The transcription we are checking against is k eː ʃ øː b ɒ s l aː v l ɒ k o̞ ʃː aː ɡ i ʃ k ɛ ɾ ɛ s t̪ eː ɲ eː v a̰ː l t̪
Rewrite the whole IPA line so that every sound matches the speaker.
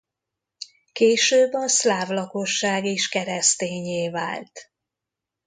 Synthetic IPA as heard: k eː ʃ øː b ɒ s l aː v l ɒ k o̞ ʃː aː ɡ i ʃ k ɛ ɾ ɛ s t̪ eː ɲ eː v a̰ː l t̪